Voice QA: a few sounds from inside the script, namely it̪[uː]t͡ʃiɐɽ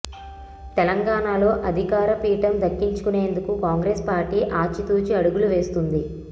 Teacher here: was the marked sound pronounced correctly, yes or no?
yes